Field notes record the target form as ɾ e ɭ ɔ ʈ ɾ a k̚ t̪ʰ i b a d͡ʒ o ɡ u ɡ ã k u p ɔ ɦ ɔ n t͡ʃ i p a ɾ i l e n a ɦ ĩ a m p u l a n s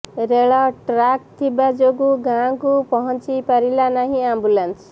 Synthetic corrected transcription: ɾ e ɭ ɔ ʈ ɾ a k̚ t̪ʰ i b a d͡ʒ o ɡ u ɡ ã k u p ɔ ɦ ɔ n t͡ʃ i p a ɾ i l a n a ɦ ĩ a m b u l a n s